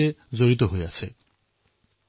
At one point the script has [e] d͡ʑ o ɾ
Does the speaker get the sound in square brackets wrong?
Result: no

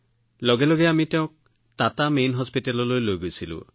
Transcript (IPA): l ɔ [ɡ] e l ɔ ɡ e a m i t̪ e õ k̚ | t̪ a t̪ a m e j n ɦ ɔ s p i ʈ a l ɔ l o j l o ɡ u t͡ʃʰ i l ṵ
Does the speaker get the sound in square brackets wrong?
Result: no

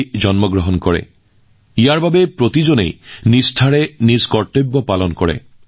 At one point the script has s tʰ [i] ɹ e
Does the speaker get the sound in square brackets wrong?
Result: yes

